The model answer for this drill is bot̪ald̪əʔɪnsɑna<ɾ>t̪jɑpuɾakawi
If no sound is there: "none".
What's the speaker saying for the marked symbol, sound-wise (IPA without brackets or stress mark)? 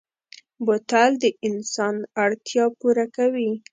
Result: ɽ